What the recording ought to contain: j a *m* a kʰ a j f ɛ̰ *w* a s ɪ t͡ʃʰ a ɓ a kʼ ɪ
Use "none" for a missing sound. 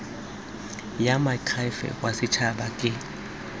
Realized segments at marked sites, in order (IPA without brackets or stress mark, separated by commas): m, w